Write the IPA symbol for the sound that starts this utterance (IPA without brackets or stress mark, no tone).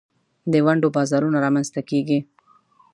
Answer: d̪